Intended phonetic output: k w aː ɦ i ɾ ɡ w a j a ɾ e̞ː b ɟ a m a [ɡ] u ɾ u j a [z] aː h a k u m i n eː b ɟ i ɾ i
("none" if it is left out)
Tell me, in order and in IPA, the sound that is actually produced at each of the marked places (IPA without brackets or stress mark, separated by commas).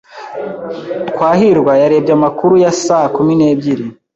k, s